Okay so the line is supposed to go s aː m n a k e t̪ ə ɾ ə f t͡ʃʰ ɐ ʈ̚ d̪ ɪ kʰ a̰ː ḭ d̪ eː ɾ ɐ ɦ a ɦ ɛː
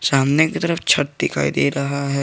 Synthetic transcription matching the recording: s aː m n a k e t̪ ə ɾ ə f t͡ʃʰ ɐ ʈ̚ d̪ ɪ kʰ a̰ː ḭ d̪ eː ɾ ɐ ɦ a ɦ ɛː